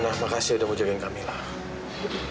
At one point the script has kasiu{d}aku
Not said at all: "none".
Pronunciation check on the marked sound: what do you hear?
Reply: d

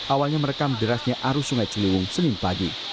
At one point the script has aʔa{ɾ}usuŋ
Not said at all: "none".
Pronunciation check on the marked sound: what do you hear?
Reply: ɾ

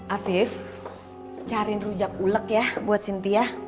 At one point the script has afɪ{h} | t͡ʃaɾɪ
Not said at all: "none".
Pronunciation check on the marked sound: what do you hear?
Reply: f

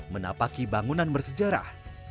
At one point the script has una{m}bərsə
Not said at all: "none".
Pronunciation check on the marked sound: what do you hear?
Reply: n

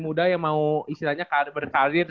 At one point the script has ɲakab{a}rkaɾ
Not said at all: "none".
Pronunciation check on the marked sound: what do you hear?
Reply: ə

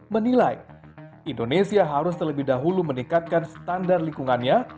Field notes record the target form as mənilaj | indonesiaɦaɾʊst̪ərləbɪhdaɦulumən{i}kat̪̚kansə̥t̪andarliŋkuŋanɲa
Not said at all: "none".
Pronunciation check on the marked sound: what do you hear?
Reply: i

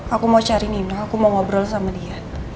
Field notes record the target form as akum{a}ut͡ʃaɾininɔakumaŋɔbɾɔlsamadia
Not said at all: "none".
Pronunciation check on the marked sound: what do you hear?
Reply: a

